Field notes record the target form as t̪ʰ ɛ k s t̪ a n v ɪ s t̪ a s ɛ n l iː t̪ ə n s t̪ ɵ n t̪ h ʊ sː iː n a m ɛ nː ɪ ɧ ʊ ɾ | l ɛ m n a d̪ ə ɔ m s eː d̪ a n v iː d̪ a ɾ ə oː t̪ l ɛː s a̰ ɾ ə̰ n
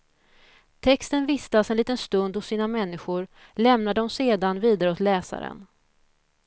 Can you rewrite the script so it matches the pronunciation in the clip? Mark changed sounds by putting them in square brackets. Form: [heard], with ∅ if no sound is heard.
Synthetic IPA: t̪ʰ ɛ k s t̪ [ə] n v ɪ s t̪ a s ɛ n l iː t̪ ə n s t̪ ɵ n [d̪] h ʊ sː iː n a m ɛ nː ɪ ɧ ʊ ɾ | l ɛ m n a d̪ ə ɔ m s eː d̪ a n v iː d̪ a ɾ ə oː t̪ l ɛː s a̰ ɾ ə̰ n